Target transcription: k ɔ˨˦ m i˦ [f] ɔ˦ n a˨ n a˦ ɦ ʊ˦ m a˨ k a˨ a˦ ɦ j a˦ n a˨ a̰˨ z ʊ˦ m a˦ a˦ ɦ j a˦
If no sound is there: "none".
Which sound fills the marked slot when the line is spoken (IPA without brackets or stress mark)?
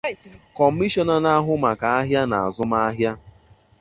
ʃ